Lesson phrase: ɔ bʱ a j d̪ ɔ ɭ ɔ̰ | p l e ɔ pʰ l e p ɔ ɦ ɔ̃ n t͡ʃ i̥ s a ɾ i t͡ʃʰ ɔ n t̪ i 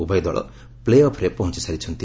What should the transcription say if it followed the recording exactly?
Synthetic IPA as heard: u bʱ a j d̪ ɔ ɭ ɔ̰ | p l e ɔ pʰ ɾ e p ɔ ɦ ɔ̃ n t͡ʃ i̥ s a ɾ i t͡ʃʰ ɔ n t̪ i